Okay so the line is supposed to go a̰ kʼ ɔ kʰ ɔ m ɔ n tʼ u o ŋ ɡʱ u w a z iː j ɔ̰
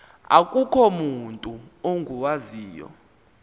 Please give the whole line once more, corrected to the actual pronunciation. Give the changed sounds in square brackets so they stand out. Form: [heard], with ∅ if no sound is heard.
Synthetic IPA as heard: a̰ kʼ [u] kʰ ɔ m [u] n tʼ u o ŋ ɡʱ u w a z iː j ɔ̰